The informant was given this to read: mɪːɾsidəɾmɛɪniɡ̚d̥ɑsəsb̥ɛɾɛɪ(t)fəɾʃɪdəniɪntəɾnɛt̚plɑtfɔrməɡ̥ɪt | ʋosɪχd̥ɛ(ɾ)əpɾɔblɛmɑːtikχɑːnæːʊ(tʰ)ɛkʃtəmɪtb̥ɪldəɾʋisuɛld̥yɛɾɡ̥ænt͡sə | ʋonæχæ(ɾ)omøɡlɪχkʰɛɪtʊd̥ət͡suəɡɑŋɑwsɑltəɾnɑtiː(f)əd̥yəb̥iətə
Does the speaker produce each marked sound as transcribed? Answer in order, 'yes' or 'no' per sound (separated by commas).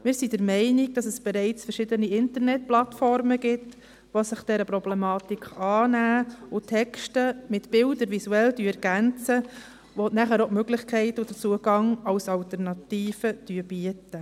no, yes, yes, yes, yes